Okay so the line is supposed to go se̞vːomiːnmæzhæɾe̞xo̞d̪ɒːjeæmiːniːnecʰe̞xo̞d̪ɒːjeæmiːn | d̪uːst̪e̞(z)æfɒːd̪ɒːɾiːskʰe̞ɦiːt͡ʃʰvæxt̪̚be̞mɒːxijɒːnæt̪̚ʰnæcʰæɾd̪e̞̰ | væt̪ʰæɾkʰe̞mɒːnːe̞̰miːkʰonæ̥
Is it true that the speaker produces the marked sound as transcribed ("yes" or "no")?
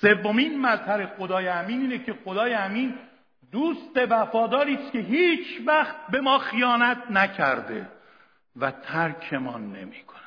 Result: no